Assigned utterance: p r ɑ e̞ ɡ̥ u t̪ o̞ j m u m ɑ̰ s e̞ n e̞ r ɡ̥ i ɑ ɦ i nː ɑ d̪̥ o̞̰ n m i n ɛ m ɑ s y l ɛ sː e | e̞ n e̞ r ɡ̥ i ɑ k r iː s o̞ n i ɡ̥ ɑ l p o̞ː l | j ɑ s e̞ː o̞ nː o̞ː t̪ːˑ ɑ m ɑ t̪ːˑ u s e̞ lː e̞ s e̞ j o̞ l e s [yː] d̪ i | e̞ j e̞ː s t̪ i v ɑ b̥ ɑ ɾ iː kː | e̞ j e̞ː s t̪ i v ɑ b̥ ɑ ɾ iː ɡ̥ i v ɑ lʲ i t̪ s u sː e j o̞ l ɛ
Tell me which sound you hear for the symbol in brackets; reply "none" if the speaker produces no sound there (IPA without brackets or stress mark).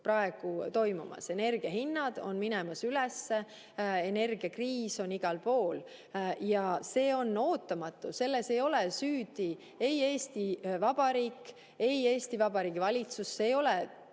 yː